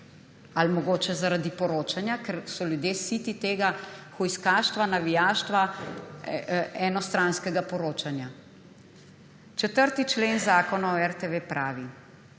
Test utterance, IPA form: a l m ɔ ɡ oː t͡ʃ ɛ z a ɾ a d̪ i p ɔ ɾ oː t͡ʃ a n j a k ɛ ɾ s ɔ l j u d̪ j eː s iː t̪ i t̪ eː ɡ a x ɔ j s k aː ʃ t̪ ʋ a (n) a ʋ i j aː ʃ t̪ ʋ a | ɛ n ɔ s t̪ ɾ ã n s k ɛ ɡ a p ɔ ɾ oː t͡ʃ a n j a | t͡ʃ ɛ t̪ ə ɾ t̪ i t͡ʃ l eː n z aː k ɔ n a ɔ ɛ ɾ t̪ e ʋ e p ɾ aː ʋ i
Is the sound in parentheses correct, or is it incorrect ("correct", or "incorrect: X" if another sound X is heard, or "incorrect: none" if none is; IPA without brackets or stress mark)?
correct